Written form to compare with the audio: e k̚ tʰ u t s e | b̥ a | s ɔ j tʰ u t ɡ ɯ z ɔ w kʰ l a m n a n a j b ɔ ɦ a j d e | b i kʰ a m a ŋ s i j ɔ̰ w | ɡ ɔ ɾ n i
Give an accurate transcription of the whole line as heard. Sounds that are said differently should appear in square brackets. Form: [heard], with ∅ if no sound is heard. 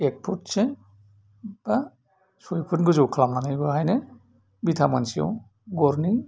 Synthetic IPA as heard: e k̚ [pʰ] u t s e | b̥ a | s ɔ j [pʰ] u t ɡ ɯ z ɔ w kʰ l a m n a n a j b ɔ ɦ a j [n] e | b i [tʰ] a m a [n] s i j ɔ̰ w | ɡ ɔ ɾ n i